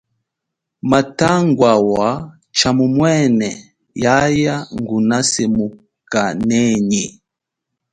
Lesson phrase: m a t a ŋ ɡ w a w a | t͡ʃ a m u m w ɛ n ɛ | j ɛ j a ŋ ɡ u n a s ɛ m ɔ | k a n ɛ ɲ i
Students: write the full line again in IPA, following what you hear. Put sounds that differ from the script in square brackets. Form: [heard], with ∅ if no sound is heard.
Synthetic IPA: m a t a ŋ ɡ w a w a | t͡ʃ a m u m w ɛ n ɛ | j [a] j a ŋ ɡ u n a s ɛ m [u] | k a n ɛ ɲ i